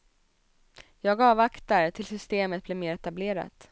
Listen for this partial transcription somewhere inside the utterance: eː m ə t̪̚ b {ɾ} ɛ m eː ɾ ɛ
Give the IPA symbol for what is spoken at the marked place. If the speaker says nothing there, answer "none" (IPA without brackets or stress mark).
l